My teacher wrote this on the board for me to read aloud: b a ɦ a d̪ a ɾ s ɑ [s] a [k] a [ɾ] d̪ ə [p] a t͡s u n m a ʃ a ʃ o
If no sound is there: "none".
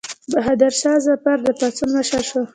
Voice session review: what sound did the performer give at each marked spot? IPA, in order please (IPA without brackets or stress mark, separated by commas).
z, p, ɾ, p